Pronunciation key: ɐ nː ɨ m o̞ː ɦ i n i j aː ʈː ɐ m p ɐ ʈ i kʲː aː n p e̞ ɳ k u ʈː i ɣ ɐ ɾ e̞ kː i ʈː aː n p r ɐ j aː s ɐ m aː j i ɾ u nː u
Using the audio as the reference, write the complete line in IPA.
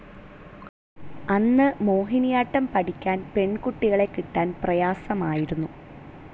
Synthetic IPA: ɐ nː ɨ m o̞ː ɦ i n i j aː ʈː ɐ m p ɐ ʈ i kʲː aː n p e̞ ɳ k u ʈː i ɣ ɐ ɭ e̞ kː i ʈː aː n p r ɐ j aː s ɐ m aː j i ɾ u nː u